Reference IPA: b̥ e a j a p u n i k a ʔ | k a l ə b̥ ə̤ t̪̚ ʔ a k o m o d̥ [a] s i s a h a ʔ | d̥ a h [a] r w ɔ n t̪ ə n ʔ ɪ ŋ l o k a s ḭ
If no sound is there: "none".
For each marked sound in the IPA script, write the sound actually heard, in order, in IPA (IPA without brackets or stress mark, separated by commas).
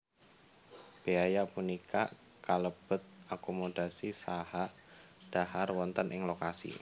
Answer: a, a